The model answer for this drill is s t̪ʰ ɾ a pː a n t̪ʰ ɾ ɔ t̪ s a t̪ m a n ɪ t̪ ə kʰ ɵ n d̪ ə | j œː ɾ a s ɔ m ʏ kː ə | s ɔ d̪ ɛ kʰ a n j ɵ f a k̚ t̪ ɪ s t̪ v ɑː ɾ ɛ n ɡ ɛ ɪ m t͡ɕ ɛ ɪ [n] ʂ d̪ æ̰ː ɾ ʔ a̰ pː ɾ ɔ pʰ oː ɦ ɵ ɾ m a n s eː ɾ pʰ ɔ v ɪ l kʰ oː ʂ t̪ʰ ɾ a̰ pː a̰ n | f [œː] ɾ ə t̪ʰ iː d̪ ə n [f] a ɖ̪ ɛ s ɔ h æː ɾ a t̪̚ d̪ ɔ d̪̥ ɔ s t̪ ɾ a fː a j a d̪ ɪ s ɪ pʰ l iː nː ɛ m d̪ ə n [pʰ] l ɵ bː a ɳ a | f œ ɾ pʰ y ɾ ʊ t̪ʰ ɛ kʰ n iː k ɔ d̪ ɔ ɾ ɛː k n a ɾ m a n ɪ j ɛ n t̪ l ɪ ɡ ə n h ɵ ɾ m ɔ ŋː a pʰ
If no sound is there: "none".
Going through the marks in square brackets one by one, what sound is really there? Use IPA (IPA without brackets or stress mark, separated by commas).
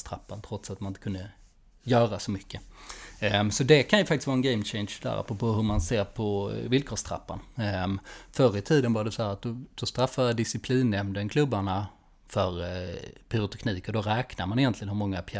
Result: n, œ, v, kʰ